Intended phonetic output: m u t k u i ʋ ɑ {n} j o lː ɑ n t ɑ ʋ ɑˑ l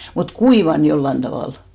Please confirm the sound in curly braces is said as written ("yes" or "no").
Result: yes